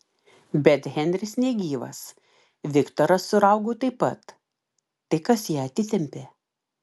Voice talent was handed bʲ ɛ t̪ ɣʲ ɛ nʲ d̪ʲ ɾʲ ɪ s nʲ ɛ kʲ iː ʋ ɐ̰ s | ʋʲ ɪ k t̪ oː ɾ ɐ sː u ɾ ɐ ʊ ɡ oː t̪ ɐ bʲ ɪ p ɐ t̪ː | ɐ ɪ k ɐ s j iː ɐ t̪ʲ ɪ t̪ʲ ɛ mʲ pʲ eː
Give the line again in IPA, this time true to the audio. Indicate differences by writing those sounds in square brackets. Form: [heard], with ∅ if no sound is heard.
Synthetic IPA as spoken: bʲ ɛ t̪ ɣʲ ɛ nʲ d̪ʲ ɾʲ ɪ s nʲ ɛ [ɡʲ] iː ʋ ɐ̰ s | ʋʲ ɪ k t̪ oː ɾ ɐ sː [ʊ] ɾ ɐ ʊ ɡ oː t̪ ɐ [∅] ɪ p ɐ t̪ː | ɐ ɪ k ɐ s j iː ɐ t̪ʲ ɪ t̪ʲ ɛ mʲ pʲ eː